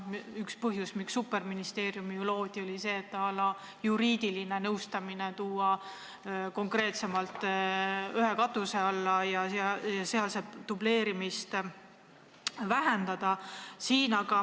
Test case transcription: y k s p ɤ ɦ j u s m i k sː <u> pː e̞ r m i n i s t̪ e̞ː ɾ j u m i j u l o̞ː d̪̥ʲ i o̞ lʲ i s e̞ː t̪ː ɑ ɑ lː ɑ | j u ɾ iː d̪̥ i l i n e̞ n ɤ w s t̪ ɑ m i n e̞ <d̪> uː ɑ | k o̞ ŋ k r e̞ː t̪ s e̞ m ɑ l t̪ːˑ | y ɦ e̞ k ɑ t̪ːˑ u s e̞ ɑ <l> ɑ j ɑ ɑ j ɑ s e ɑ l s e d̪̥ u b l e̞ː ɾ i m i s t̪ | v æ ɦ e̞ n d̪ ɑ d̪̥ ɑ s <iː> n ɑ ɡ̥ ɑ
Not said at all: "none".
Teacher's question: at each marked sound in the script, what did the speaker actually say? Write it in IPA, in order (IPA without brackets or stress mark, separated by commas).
u, t̪, lː, iː